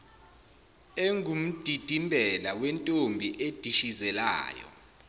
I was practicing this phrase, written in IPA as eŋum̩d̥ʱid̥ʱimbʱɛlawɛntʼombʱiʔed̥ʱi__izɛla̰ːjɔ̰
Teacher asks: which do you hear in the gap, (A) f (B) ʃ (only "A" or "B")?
B